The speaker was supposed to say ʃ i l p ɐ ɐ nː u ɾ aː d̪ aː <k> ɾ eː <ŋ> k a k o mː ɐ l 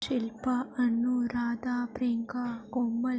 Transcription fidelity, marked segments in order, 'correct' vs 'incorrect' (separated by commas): incorrect, correct